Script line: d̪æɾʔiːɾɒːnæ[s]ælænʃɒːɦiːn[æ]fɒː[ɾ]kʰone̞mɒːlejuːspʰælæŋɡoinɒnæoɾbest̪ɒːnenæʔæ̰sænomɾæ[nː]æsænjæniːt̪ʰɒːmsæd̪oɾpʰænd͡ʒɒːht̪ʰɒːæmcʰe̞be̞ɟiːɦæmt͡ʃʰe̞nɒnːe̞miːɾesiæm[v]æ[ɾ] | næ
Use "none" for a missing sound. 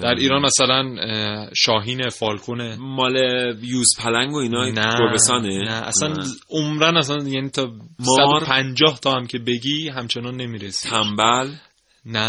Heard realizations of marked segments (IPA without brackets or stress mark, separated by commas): s, e, l, n, b, l